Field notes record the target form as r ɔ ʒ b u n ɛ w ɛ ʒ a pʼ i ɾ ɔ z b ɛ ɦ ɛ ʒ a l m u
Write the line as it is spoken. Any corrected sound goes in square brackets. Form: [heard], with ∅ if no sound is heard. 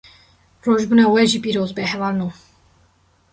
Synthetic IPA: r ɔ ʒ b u n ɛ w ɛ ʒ [i] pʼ i ɾ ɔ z b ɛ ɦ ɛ [v] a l [n] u